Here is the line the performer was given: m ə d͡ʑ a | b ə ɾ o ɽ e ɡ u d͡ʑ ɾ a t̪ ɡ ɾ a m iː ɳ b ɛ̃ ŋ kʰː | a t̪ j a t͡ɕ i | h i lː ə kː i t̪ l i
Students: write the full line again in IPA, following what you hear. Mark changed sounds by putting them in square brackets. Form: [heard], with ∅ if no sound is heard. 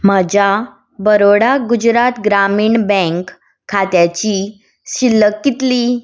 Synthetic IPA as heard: m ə d͡ʑ a | b ə ɾ o ɽ [a] ɡ u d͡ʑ ɾ a t̪ ɡ ɾ a m iː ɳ b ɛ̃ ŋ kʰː | a t̪ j a t͡ɕ i | [ɕ] i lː ə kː i t̪ l i